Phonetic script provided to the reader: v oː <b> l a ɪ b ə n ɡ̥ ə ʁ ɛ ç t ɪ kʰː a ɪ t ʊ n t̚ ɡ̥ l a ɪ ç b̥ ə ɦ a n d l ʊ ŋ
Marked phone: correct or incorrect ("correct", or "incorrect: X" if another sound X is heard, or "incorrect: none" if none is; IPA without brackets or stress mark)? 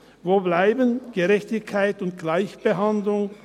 correct